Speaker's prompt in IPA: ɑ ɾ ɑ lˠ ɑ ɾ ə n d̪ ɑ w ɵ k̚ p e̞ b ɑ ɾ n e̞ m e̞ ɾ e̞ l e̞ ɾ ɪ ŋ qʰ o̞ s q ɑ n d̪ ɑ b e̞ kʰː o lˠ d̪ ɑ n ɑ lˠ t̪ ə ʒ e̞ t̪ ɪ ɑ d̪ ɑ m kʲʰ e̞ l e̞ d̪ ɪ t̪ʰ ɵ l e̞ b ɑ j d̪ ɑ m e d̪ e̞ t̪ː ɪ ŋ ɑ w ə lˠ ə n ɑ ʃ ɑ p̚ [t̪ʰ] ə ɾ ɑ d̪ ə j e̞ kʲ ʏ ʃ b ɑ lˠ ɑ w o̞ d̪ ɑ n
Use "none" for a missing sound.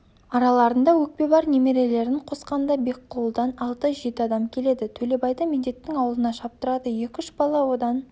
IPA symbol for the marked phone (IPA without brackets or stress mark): t̪